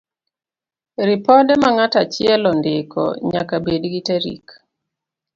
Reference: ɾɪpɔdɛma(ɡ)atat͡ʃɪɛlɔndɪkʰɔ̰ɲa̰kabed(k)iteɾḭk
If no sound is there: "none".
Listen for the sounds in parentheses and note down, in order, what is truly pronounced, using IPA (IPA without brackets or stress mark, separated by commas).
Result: ŋ, ɡ